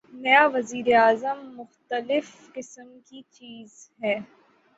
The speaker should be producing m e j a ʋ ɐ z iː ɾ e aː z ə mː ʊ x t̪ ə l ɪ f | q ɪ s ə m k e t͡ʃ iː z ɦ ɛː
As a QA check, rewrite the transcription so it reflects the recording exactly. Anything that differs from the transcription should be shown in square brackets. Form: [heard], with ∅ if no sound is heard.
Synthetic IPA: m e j a ʋ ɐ z iː ɾ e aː z ə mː ʊ x t̪ ə l ɪ f | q ɪ s ə m k [i] t͡ʃ iː z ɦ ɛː